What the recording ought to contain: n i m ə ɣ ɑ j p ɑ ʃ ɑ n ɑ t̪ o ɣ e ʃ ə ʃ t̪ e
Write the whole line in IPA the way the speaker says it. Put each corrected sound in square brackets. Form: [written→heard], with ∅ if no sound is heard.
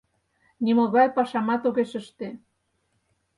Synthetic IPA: n i m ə ɣ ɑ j p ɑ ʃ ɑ [n→m] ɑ t̪ o ɣ e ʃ ə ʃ t̪ e

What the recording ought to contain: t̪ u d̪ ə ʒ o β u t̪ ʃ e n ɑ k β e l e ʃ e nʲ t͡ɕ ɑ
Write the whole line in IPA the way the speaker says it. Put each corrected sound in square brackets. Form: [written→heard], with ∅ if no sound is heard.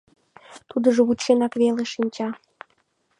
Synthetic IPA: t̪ u d̪ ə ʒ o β u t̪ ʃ e n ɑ k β e l e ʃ [e→i] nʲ t͡ɕ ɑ

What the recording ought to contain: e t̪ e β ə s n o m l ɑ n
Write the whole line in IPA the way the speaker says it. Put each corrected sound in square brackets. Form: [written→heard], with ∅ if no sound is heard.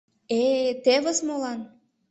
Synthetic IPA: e t̪ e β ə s [n→m] o [m→∅] l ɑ n

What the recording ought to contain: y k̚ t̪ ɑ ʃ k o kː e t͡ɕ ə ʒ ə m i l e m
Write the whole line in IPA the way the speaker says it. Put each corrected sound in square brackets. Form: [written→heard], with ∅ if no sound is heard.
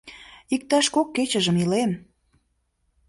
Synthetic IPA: [y→i] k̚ t̪ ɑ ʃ k o kː e t͡ɕ ə ʒ ə m i l e m

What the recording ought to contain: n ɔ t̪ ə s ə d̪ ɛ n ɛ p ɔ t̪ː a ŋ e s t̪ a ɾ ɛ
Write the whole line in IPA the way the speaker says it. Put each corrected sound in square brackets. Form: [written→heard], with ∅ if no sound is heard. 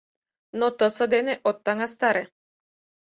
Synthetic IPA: n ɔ t̪ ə s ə d̪ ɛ n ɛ [p→ʔ] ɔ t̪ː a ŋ [e→a] s t̪ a ɾ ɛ

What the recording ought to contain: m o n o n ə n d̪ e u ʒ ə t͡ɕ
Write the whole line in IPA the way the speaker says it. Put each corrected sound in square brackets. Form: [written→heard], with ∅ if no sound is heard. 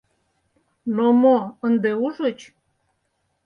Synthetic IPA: [m→n] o [n→m] o [n→∅] ə n d̪ e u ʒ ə t͡ɕ

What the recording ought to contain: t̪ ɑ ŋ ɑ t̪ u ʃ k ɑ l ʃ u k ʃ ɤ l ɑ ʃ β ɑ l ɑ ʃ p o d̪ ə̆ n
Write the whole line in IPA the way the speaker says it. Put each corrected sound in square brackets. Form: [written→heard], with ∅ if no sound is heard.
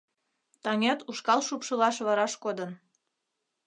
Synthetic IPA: t̪ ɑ ŋ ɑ t̪ u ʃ k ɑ l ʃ u [k→p] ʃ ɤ l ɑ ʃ β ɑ [l→ɾ] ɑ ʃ [p→k] o d̪ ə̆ n

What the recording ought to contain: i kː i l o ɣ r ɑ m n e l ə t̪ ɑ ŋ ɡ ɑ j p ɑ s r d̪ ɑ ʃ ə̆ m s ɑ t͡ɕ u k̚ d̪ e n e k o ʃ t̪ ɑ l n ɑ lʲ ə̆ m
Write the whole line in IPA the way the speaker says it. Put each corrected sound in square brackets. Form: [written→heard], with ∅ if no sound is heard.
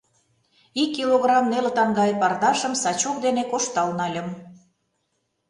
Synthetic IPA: i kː i l o ɣ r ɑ m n e l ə t̪ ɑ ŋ ɡ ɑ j p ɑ [s→∅] r d̪ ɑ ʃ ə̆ m s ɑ t͡ɕ u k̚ d̪ e n e k o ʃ t̪ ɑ l n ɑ lʲ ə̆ m

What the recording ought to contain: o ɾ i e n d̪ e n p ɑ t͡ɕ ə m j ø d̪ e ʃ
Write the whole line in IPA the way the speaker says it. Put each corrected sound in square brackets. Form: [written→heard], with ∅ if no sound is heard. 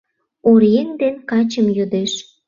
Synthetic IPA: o ɾ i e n d̪ e n [p→k] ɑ t͡ɕ ə m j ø d̪ e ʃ

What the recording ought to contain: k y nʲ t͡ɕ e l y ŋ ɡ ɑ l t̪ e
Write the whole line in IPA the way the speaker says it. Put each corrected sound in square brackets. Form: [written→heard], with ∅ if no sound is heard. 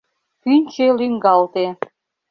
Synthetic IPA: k y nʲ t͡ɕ e l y ŋ ɡ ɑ l t̪ e

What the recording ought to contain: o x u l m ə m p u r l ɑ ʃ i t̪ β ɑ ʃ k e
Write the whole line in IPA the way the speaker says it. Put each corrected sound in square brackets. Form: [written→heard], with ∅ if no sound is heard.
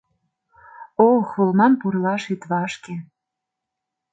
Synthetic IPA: o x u l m [ə→ɑ] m p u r l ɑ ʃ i t̪ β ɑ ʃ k e

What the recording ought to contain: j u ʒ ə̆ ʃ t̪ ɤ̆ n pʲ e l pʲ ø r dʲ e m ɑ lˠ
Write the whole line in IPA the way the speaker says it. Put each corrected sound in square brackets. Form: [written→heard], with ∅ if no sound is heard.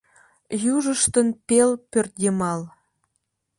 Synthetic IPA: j u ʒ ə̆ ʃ t̪ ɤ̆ n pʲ e l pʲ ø r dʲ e m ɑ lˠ

